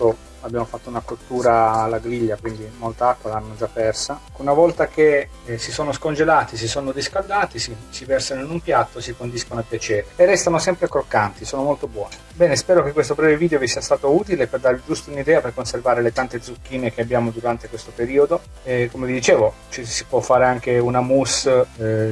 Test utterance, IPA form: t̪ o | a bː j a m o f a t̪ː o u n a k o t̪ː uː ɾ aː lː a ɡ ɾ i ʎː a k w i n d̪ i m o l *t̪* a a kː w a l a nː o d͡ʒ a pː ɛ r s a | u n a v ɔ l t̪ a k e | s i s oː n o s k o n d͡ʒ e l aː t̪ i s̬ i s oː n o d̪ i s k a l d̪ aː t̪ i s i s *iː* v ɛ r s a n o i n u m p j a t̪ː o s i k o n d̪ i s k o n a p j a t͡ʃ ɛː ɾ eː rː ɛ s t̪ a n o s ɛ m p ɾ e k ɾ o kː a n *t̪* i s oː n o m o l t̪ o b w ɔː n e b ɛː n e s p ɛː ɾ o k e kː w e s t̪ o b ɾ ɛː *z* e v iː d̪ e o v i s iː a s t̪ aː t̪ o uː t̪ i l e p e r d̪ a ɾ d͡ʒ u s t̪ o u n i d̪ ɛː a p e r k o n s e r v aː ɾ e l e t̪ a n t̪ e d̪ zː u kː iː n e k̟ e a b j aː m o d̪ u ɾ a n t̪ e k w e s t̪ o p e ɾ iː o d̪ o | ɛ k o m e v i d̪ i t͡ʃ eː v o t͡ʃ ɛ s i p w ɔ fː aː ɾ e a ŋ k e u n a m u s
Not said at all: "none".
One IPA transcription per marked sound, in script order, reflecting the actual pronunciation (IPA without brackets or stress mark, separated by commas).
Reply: t̪, i, t̪, v